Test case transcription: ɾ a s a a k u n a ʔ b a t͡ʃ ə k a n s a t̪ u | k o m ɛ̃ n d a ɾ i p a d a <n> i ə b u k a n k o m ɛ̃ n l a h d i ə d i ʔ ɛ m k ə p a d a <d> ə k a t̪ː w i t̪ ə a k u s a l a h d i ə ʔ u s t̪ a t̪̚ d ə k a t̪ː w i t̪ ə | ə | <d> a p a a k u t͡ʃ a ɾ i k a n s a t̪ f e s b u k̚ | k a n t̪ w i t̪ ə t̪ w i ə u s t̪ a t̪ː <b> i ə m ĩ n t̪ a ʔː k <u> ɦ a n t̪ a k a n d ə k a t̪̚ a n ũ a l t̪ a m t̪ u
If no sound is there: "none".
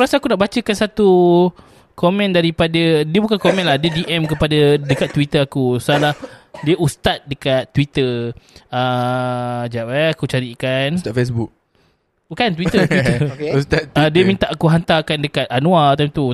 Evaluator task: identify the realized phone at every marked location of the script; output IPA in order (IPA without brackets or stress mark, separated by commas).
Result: d, d, d͡ʒ, d, u